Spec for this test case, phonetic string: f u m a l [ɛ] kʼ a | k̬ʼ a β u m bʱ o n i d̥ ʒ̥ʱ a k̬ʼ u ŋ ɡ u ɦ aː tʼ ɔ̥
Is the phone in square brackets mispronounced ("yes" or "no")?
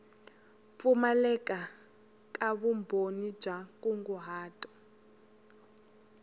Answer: no